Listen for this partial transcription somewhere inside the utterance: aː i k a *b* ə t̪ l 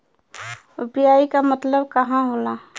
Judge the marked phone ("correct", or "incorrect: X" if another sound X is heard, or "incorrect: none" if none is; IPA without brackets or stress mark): incorrect: m